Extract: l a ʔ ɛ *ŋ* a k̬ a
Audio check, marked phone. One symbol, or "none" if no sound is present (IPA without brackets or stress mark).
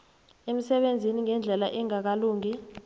ŋ